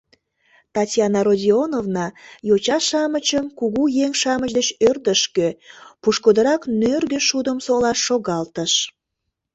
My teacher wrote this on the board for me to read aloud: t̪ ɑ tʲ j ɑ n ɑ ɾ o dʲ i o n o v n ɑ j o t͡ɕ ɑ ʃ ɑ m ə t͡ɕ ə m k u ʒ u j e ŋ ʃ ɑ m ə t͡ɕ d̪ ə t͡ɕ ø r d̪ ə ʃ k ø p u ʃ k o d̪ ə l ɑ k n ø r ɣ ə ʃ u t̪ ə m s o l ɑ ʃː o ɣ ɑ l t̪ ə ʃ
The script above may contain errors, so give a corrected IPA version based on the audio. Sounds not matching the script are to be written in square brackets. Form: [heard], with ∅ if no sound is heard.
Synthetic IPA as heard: t̪ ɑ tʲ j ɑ n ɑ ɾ o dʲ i o n o v n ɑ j o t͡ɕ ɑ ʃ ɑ m ə t͡ɕ ə m k u [ɣ] u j e ŋ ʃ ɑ m ə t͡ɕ d̪ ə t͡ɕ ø r d̪ ə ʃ k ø p u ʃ k o d̪ ə [ɾ] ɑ k n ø r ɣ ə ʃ u [d̪] ə m s o l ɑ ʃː o ɣ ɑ l t̪ ə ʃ